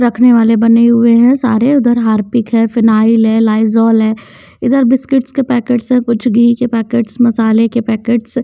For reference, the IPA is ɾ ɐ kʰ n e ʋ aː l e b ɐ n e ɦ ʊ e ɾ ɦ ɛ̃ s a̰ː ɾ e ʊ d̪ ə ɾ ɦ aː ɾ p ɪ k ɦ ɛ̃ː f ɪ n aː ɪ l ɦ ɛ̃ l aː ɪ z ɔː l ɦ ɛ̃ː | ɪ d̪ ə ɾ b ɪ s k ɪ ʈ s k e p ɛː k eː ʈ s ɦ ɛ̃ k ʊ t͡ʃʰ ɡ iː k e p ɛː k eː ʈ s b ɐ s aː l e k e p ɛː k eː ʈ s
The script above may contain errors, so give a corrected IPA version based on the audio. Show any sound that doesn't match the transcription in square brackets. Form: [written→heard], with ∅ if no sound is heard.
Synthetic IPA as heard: ɾ ɐ kʰ n e ʋ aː l e b ɐ n e ɦ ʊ e [ɾ→∅] ɦ ɛ̃ s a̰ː ɾ e ʊ d̪ ə ɾ ɦ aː ɾ p ɪ k ɦ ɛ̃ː f ɪ n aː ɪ l ɦ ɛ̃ l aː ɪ z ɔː l ɦ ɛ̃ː | ɪ d̪ ə ɾ b ɪ s k ɪ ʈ s k e p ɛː k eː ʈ s ɦ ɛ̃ k ʊ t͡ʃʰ ɡ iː k e p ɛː k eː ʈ s [b→m] ɐ s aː l e k e p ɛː k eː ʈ s